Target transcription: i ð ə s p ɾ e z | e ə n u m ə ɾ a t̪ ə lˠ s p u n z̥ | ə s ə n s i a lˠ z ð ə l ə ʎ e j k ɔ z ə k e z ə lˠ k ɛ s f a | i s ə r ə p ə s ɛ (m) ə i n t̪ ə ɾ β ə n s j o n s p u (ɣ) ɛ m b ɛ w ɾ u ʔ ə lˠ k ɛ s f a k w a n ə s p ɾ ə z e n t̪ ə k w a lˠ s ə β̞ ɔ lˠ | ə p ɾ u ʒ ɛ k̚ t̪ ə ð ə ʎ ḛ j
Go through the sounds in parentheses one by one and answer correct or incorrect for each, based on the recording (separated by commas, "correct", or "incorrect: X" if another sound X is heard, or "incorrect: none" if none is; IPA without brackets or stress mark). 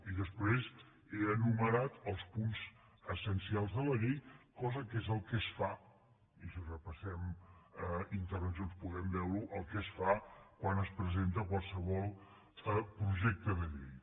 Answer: correct, correct